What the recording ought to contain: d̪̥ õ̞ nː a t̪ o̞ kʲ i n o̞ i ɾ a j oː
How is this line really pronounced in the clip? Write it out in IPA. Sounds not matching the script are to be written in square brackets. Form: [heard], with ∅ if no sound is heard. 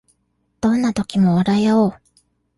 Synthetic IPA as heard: d̪̥ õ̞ nː a t̪ o̞ kʲ i [m] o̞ [a] ɾ a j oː